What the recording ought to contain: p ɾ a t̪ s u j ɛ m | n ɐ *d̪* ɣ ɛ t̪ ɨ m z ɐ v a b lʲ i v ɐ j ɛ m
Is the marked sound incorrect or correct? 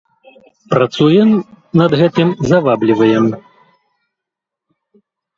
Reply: correct